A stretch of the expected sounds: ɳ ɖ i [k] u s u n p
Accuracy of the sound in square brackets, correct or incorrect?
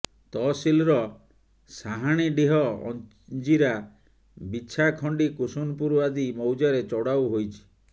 correct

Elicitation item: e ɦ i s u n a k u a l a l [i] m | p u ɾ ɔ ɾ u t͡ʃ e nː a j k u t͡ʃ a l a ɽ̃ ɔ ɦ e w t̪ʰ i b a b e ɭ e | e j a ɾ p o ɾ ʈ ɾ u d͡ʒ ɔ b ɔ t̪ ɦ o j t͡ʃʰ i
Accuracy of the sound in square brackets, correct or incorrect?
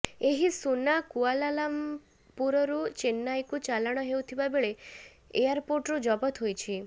incorrect: a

